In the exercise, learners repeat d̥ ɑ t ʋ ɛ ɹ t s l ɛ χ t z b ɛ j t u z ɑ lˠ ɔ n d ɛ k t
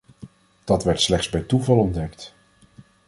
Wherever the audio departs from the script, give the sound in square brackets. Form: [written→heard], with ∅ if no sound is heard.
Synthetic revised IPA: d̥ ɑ t ʋ ɛ ɹ t s l ɛ χ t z b ɛ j t u [z→v] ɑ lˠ ɔ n d ɛ k t